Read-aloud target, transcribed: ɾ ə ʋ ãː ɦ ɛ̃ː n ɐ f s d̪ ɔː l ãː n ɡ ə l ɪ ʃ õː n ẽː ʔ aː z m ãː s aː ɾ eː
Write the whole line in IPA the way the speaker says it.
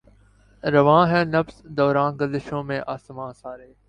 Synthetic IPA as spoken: ɾ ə ʋ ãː ɦ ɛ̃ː n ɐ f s d̪ ɔː ɾ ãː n ɡ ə l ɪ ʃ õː m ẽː ʔ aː s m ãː s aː ɾ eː